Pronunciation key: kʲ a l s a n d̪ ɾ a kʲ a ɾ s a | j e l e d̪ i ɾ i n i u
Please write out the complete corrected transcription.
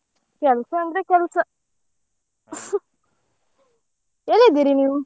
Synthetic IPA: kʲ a l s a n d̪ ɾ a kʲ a l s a | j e l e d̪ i ɾ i n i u